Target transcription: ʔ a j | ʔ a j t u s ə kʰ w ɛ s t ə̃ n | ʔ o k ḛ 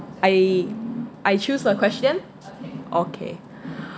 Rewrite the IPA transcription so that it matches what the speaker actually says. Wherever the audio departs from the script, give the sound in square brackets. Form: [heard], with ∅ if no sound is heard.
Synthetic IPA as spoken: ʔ a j | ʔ a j [t͡ʃ] u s ə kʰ w ɛ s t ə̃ n | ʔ o [kʰ] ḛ